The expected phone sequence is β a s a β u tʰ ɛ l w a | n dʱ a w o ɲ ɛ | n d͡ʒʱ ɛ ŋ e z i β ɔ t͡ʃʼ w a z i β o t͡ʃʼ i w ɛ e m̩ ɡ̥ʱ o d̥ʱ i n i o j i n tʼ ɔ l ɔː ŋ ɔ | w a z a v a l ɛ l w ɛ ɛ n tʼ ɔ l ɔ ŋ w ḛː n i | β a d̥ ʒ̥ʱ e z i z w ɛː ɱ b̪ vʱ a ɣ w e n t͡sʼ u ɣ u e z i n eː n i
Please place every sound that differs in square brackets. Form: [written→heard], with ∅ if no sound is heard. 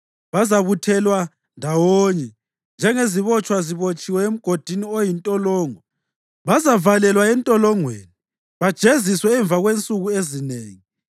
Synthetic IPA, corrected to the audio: β a [s→z] a β u tʰ ɛ l w a | n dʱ a w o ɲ ɛ | n d͡ʒʱ ɛ ŋ e z i β ɔ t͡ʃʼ w a z i β o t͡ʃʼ i w ɛ e m̩ ɡ̥ʱ o d̥ʱ i n i o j i n tʼ ɔ l ɔː ŋ ɔ | [w→β] a z a v a l ɛ l w [ɛ→a] ɛ n tʼ ɔ l ɔ ŋ w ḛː n i | β a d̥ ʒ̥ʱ e z i [z→s] w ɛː ɱ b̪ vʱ a ɣ w e n t͡sʼ u ɣ u e z i n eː [n→ŋ] i